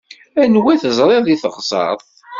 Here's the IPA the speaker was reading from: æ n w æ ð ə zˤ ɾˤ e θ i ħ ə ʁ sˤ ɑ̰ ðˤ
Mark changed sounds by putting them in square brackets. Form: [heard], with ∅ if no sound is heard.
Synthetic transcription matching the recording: æ n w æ [θ] ə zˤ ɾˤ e [ð] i [θ] ə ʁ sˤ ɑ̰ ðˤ